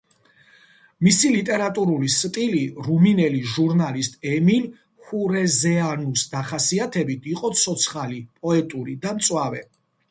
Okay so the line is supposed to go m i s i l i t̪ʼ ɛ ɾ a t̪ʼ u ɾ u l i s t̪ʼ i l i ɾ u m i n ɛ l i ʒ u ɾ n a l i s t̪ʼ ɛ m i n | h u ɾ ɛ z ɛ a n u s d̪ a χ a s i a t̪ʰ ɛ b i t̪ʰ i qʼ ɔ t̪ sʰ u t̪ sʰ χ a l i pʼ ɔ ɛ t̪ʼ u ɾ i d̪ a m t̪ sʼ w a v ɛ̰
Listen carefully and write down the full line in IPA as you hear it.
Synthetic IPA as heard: m i s i l i t̪ʼ ɛ ɾ a t̪ʼ u ɾ u l i s t̪ʼ i l i ɾ u m i n ɛ l i ʒ u ɾ n a l i s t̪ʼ ɛ m i n | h u ɾ ɛ z ɛ a n u s d̪ a χ a s i a t̪ʰ ɛ b i t̪ʰ i qʼ ɔ t̪ sʰ ɔ t̪ sʰ χ a l i pʼ ɔ ɛ t̪ʼ u ɾ i d̪ a m t̪ sʼ w a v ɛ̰